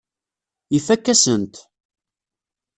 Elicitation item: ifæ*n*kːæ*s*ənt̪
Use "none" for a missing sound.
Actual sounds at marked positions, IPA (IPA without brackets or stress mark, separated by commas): none, s